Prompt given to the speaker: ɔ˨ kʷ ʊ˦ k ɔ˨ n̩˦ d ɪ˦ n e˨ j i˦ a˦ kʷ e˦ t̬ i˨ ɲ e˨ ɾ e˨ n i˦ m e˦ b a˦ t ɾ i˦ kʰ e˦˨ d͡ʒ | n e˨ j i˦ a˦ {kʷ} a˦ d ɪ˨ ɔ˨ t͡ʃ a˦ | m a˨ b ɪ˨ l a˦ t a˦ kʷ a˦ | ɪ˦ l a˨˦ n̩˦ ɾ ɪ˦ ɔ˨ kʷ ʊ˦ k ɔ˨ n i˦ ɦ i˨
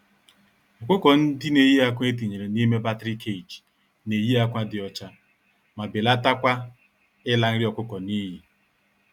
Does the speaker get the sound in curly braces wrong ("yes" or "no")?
no